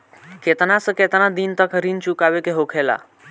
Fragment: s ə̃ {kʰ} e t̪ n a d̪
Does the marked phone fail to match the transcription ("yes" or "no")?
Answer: yes